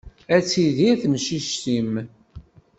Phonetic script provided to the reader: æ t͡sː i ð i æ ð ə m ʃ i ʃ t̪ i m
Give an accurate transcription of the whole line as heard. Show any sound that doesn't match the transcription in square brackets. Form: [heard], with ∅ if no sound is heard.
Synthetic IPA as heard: æ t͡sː i ð i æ [θ] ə m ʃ i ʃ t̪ i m